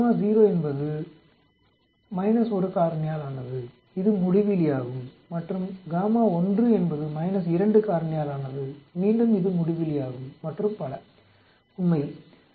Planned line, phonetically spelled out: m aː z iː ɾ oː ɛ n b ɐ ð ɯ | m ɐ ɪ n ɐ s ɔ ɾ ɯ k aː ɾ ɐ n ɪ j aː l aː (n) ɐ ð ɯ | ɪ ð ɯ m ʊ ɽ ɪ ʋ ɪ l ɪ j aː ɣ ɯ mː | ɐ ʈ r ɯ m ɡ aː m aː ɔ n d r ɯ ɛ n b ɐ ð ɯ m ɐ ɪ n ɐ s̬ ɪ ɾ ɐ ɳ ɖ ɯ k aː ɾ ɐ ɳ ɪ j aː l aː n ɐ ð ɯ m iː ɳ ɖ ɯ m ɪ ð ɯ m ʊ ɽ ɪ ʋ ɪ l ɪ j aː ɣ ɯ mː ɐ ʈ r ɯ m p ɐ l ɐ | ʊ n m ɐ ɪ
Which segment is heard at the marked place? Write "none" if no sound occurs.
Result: n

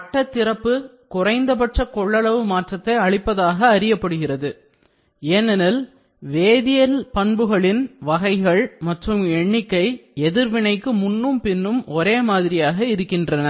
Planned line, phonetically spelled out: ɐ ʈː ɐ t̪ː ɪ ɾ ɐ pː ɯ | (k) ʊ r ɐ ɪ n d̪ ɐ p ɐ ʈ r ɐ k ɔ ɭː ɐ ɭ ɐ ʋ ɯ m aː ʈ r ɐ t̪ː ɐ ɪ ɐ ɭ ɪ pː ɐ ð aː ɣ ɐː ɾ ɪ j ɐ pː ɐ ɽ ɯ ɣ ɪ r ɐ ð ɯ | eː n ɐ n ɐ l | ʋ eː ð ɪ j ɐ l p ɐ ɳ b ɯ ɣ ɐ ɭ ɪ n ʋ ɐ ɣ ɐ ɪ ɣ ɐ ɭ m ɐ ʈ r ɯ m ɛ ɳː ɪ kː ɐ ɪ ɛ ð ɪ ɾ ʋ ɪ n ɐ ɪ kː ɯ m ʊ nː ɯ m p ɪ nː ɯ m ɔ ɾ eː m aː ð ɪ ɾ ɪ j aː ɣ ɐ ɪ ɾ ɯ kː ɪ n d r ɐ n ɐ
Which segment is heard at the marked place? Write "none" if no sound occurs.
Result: k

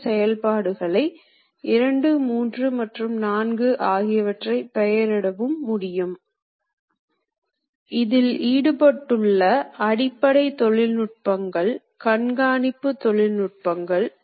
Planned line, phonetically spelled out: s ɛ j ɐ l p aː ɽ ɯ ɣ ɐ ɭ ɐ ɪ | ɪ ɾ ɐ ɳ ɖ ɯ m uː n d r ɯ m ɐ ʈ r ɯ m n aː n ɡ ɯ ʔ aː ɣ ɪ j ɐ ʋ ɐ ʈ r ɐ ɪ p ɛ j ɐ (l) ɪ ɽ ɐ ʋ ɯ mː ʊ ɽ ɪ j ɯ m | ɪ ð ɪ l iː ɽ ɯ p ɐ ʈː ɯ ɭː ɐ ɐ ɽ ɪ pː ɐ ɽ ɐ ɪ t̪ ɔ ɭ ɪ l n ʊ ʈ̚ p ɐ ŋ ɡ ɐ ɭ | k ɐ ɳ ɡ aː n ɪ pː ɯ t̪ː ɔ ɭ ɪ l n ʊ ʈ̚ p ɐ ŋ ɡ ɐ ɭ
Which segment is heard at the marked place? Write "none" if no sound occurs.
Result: ɾ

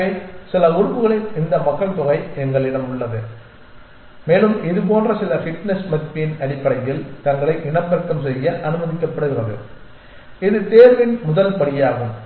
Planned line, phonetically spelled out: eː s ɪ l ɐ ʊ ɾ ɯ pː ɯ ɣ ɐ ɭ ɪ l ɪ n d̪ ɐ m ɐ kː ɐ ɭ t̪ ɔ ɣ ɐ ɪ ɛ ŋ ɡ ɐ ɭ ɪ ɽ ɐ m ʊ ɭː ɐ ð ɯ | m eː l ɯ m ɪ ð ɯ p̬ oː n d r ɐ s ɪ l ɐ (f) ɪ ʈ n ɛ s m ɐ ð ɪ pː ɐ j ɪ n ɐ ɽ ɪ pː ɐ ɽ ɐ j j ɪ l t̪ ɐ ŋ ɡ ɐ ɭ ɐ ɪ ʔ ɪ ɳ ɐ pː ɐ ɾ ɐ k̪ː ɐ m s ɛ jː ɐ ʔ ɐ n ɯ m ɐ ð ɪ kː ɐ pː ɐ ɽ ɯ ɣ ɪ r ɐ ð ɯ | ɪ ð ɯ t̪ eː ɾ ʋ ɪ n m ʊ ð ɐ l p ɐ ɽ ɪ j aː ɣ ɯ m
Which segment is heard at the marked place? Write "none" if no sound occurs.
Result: f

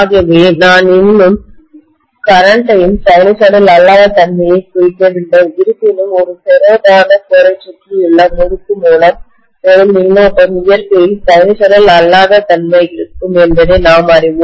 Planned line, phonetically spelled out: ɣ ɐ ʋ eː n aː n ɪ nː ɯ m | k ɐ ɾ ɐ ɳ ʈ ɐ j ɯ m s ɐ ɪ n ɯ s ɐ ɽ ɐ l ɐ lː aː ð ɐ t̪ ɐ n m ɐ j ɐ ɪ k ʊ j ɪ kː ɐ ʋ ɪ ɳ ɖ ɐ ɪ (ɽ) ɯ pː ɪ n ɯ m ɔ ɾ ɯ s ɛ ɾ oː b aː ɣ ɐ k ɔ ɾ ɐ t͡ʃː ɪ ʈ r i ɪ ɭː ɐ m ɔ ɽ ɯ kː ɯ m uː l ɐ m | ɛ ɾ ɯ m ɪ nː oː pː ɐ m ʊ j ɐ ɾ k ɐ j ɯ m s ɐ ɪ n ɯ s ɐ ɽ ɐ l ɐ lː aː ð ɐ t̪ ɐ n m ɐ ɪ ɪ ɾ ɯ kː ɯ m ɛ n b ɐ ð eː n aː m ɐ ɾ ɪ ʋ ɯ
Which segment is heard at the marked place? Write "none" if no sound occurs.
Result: ɾ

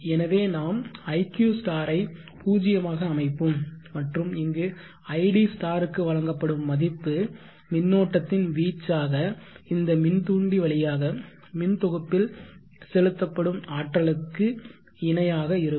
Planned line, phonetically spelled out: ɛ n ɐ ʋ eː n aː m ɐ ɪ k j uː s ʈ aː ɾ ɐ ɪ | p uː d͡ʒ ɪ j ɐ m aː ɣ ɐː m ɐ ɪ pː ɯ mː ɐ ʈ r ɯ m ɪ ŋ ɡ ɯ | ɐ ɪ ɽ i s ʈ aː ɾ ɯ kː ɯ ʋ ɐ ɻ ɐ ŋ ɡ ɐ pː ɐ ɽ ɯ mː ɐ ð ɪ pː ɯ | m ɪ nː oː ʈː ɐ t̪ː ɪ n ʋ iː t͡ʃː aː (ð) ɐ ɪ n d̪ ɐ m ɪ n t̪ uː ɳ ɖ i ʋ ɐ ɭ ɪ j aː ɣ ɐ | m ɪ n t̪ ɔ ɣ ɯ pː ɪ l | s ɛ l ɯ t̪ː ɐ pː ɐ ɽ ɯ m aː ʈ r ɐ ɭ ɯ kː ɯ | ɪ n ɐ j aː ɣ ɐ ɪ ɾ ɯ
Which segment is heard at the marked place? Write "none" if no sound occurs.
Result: ɣ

